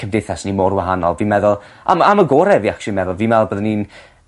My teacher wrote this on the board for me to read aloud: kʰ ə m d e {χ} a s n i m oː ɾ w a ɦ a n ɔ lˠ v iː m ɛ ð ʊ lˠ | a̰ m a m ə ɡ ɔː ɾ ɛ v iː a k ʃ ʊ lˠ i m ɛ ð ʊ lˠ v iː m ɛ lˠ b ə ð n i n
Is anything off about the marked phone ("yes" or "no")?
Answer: yes